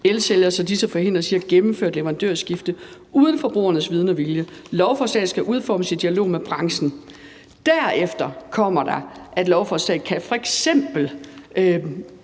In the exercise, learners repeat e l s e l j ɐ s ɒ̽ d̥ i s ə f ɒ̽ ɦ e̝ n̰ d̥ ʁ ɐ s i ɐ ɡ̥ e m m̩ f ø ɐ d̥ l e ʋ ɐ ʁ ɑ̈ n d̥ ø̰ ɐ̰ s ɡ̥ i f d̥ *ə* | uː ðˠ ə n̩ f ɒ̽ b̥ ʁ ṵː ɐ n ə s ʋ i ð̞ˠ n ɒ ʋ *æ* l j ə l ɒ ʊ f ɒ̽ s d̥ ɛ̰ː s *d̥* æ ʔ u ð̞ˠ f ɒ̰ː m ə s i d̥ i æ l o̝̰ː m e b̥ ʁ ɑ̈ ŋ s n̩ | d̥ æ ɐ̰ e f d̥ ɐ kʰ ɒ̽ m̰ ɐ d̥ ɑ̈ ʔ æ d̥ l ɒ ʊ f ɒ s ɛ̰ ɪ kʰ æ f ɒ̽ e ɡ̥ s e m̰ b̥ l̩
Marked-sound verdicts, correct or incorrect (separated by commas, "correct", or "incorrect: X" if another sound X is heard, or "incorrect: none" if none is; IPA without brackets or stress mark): correct, incorrect: i, incorrect: ɡ̥